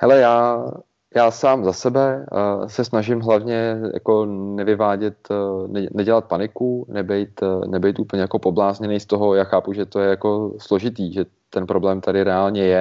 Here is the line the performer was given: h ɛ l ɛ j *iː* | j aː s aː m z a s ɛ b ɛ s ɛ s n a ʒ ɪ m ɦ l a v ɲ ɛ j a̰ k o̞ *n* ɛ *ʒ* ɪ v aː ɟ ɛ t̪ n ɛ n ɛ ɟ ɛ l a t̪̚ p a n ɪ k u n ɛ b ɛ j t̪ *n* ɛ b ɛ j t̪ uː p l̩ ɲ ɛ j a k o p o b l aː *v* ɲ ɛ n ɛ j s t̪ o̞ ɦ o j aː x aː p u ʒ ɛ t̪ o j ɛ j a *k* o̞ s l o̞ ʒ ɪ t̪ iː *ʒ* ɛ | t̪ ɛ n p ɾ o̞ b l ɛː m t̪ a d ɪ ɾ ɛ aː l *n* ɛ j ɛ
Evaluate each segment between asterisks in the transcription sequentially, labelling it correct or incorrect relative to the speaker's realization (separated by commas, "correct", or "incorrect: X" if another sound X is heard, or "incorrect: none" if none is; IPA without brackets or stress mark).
incorrect: aː, correct, incorrect: v, correct, incorrect: z, correct, correct, incorrect: ɲ